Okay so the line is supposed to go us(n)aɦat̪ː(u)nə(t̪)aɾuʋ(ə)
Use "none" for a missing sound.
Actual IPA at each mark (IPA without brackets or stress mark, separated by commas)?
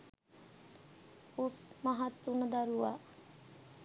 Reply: m, u, d̪, a